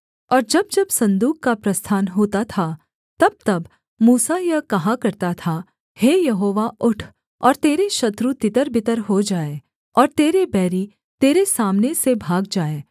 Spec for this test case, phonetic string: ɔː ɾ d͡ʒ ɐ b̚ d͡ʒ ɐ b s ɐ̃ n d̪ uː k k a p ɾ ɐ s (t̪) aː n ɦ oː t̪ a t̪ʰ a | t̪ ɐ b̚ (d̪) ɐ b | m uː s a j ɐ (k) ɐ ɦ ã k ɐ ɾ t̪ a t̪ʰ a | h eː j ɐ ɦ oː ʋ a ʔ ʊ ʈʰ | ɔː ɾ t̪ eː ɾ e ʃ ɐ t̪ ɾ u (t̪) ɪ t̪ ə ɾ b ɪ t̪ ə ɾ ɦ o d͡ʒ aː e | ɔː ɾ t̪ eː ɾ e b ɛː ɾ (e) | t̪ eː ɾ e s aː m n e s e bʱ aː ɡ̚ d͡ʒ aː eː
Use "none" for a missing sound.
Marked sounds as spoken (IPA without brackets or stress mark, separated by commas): t̪ʰ, t̪, k, t̪, i